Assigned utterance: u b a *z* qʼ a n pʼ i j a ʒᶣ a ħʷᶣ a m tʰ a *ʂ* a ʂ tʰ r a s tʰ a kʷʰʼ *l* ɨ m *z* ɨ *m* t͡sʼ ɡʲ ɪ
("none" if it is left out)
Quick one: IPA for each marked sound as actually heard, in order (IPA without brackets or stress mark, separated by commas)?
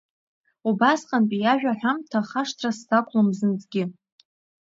s, χ, l, z, n